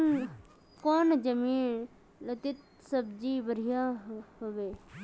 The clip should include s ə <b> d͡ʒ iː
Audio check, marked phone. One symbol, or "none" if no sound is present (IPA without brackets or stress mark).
b